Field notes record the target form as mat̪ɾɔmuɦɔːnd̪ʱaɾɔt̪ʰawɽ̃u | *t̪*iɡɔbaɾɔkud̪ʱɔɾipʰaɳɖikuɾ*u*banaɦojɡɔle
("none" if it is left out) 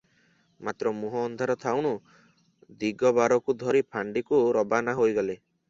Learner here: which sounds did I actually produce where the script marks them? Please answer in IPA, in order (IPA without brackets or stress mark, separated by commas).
d̪, ɔ